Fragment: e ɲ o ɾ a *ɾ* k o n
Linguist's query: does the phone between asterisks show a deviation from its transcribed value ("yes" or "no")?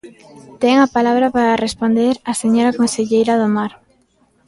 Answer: yes